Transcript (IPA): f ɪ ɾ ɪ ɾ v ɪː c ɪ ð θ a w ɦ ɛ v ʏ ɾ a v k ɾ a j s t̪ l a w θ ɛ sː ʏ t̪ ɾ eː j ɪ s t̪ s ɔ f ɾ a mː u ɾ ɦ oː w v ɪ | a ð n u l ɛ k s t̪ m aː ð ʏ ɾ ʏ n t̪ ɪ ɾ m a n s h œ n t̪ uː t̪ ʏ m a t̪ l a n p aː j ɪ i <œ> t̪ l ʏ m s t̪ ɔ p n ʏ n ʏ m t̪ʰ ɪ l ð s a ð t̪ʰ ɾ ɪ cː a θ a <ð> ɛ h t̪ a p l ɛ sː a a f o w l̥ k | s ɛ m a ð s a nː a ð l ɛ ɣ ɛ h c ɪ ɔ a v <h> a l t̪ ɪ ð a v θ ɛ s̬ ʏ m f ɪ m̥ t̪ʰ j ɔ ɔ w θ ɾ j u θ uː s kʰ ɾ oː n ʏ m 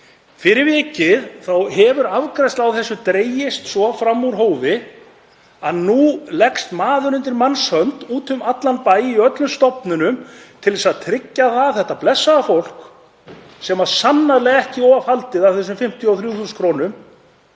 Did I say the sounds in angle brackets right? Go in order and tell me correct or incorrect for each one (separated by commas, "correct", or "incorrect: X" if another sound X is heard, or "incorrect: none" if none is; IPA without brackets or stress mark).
correct, incorrect: θ, correct